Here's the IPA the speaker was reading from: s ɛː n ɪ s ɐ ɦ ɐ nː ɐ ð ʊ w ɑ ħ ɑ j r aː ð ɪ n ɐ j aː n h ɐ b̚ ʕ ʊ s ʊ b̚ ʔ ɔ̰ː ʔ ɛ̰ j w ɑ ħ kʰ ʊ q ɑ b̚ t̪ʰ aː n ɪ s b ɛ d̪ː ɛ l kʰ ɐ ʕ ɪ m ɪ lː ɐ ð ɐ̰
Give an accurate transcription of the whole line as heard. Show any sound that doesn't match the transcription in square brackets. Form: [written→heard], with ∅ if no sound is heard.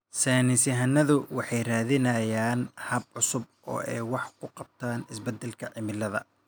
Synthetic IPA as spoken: s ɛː n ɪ s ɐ ɦ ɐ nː ɐ ð ʊ w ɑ ħ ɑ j r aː ð ɪ n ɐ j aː n h ɐ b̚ ʕ ʊ s ʊ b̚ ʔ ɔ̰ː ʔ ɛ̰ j w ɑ ħ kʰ ʊ q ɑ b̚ t̪ʰ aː n ɪ s b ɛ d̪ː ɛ l kʰ ɐ ʕ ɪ m ɪ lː ɐ ð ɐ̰